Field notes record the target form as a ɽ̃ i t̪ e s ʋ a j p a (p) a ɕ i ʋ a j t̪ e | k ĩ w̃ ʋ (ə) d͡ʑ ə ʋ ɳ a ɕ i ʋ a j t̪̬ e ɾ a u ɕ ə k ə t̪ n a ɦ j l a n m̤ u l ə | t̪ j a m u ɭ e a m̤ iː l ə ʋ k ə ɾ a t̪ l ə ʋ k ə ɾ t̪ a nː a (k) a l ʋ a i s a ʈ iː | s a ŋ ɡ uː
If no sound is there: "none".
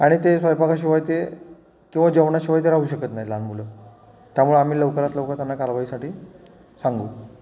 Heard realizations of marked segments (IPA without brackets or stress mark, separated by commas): k, a, k